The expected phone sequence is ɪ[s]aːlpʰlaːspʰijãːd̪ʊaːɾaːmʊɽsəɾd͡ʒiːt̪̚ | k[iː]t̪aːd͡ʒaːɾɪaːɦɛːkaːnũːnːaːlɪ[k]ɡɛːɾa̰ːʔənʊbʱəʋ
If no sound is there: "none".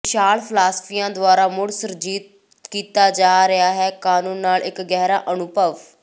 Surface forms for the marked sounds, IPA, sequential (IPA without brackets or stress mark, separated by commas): ʃ, iː, k